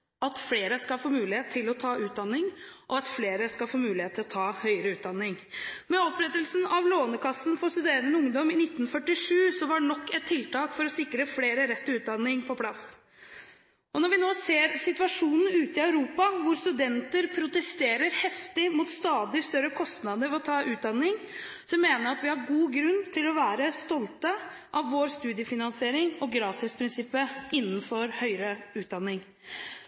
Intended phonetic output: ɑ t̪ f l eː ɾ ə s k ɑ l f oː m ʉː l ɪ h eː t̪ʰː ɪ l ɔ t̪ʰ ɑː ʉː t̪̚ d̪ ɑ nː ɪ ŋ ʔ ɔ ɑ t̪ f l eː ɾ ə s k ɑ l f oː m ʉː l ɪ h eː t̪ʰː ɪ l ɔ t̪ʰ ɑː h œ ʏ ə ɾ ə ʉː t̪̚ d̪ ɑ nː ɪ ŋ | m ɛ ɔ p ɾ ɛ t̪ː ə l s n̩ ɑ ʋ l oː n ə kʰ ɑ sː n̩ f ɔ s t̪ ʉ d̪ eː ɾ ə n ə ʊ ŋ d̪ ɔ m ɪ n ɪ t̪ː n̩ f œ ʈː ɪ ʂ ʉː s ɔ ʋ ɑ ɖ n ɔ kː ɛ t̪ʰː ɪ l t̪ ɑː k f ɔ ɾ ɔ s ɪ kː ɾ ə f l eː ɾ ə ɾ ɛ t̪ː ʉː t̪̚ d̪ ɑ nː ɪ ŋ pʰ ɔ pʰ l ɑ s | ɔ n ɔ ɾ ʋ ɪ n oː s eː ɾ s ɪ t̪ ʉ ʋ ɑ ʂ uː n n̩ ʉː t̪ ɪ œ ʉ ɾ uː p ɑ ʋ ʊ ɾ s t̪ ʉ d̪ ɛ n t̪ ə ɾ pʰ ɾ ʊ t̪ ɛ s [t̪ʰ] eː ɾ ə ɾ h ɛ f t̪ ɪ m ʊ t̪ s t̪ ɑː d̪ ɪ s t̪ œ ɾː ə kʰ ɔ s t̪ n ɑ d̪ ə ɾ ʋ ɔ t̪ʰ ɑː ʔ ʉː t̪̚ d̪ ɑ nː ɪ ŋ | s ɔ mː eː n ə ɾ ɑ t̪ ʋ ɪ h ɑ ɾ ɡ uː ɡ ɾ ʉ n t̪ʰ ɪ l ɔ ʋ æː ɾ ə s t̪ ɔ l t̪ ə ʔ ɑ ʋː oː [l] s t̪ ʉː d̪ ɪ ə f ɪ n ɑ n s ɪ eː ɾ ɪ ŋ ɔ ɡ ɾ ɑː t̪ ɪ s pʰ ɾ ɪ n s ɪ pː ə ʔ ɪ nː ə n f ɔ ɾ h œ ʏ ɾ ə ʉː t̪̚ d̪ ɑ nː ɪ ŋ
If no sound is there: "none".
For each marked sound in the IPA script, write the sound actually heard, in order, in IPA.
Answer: t̪, ɾ

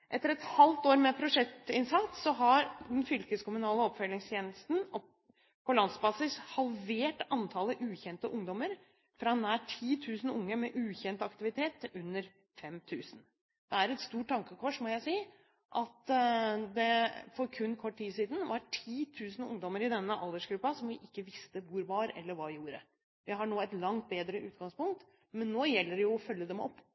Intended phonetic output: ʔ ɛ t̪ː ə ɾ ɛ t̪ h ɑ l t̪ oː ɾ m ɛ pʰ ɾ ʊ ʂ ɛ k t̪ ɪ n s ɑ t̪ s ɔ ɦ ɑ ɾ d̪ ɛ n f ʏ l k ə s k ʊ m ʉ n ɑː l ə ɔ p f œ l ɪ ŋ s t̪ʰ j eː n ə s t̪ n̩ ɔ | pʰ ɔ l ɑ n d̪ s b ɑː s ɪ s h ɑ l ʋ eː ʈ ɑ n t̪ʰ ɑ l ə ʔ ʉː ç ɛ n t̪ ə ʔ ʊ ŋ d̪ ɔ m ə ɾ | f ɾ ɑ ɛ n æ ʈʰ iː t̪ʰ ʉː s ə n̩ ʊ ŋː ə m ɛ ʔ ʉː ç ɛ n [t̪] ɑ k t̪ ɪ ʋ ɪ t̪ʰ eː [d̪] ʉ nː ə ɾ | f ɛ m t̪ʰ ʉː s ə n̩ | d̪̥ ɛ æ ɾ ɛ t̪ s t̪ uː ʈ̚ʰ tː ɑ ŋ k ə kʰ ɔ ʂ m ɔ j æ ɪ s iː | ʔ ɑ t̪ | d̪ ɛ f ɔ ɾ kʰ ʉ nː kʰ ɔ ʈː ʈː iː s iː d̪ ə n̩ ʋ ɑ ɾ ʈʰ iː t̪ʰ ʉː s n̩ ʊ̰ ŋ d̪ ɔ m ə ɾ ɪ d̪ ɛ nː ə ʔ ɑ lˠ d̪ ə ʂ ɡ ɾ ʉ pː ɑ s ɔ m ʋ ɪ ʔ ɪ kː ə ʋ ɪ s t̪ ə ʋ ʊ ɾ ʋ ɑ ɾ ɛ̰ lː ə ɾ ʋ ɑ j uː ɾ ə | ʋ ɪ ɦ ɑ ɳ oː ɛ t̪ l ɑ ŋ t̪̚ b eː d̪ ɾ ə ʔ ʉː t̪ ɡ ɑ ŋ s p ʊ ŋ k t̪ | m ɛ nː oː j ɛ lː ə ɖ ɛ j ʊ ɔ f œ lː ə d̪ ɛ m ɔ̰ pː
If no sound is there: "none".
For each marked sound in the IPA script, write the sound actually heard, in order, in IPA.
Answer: t̪, t̪

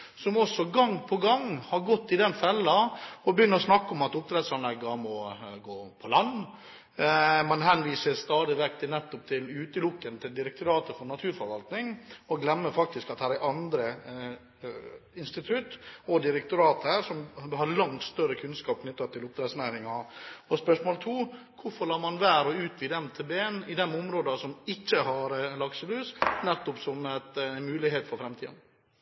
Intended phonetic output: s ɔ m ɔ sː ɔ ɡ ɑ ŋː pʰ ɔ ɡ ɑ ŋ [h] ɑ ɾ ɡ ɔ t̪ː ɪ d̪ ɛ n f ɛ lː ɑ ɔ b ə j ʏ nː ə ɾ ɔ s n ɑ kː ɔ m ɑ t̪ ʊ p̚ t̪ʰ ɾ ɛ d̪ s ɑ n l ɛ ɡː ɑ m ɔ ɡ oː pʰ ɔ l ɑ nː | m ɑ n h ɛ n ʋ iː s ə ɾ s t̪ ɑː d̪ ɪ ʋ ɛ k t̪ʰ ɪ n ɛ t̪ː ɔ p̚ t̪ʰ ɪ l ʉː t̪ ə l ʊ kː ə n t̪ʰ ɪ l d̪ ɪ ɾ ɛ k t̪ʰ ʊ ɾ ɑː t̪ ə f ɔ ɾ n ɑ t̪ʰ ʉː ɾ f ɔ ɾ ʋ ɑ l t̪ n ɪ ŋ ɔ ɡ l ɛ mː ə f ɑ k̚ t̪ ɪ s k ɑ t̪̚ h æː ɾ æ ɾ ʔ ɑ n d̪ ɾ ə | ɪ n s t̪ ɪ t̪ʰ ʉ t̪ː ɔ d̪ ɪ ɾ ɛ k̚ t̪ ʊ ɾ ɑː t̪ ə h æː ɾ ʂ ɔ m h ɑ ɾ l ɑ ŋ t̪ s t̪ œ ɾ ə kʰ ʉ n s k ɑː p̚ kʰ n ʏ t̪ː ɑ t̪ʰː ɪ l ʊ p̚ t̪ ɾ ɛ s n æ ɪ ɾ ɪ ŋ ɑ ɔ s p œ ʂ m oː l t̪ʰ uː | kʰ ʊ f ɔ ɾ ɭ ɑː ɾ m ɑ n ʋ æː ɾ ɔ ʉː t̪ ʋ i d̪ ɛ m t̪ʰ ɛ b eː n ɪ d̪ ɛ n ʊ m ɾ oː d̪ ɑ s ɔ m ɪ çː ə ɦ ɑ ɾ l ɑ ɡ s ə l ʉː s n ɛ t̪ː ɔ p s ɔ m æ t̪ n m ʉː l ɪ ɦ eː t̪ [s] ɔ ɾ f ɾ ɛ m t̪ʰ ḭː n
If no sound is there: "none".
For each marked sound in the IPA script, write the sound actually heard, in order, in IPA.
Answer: h, f

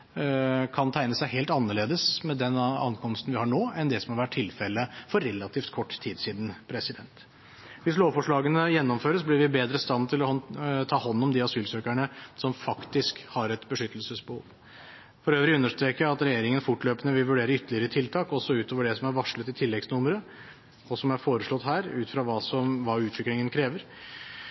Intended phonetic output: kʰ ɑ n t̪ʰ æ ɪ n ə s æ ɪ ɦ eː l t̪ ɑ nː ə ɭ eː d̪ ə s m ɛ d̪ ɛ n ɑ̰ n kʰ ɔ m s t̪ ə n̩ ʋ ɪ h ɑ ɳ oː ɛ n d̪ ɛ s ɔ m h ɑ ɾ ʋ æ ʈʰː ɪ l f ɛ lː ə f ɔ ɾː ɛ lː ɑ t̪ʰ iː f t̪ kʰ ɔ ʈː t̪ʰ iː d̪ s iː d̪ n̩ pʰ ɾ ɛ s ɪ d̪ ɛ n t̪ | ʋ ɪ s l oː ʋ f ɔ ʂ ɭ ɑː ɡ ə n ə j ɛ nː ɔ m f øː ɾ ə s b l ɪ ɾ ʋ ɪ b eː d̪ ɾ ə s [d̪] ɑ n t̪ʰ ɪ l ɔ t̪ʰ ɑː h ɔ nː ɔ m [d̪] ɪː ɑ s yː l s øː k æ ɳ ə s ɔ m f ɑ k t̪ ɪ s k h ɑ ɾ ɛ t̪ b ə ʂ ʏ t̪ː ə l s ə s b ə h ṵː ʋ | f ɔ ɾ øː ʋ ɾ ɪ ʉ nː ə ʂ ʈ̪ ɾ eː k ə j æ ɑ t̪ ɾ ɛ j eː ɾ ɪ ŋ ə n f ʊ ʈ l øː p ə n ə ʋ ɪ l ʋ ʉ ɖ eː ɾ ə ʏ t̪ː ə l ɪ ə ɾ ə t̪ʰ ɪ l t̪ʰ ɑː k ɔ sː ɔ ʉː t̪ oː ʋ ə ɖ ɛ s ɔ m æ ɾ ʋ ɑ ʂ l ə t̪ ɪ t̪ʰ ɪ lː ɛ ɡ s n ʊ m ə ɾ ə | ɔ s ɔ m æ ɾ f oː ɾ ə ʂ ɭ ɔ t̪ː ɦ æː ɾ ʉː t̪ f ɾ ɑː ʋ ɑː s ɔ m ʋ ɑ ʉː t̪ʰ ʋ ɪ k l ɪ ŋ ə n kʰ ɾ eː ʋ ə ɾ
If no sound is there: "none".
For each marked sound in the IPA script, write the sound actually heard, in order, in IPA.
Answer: t̪, d̪

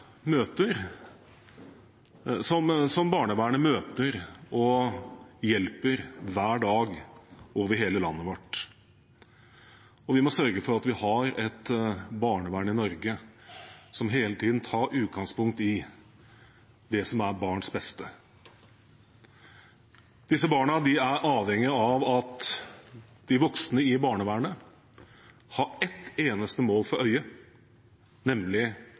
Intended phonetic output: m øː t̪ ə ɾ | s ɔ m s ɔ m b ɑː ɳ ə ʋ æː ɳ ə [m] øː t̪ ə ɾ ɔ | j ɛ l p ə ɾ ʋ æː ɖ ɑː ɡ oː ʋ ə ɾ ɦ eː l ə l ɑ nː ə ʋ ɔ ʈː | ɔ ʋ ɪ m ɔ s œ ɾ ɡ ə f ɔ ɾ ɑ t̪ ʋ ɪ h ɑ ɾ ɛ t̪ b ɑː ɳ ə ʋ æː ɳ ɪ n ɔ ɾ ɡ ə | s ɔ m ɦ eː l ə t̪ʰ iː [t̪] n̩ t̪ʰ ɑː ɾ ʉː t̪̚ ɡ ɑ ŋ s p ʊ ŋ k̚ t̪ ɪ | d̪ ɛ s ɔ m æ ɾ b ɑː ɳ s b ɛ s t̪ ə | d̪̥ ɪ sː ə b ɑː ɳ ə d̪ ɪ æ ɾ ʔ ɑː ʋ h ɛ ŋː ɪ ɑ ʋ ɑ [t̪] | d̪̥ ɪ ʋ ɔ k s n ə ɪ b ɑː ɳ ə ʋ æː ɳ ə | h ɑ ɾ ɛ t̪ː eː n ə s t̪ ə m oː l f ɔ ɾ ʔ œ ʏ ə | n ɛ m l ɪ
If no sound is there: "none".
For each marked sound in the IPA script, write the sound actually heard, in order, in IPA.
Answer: m, d̪, t̪

